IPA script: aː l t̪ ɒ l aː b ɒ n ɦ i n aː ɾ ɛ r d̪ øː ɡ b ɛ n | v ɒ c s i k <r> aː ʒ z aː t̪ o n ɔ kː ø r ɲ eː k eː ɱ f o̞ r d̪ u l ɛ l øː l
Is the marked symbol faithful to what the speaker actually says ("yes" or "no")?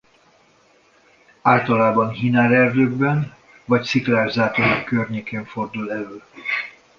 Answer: no